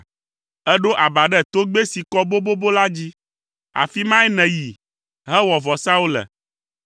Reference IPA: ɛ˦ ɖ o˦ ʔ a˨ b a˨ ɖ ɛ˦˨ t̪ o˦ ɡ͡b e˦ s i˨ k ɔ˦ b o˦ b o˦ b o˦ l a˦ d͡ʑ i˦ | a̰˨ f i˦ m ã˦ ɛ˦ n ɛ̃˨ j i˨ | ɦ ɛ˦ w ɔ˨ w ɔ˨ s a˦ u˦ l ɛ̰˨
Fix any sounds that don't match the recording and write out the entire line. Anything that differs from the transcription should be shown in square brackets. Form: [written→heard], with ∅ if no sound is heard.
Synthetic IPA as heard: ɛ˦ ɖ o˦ ʔ a˨ b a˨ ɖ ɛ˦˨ t̪ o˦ ɡ͡b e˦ s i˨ k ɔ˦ b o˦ b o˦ b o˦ l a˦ d͡ʑ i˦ | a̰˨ f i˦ m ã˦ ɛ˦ n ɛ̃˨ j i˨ | ɦ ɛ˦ w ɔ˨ [w→v] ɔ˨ s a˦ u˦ l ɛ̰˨